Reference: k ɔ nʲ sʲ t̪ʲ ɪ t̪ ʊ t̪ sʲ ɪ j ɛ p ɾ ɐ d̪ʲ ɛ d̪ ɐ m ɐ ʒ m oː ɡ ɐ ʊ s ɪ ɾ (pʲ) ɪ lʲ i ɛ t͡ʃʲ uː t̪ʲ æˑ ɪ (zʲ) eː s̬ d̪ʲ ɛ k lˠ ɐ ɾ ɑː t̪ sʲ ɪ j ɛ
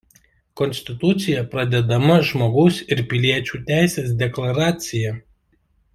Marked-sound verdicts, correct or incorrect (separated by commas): correct, incorrect